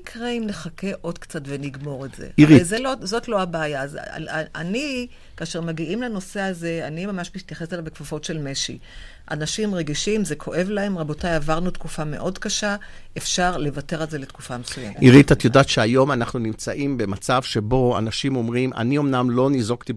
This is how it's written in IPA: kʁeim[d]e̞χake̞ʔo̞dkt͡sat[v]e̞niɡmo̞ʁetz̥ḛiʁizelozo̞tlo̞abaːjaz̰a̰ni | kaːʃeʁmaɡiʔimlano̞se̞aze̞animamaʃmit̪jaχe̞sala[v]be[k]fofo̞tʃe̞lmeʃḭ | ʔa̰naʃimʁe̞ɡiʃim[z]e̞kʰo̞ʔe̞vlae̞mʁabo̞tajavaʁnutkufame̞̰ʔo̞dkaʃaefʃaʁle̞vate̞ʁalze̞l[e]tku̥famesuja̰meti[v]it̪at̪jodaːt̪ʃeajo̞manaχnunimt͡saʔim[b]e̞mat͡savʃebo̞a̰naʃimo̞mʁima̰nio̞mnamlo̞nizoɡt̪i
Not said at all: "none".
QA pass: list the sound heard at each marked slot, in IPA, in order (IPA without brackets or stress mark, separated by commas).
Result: n, v, v, k, z, e, ʁ, b